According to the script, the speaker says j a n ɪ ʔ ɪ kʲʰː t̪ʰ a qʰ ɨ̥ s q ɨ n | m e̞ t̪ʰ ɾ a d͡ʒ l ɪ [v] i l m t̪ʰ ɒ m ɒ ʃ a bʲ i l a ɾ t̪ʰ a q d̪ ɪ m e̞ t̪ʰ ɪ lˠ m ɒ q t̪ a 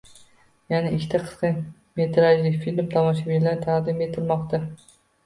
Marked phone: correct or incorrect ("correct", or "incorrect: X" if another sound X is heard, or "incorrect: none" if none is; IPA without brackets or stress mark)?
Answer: incorrect: f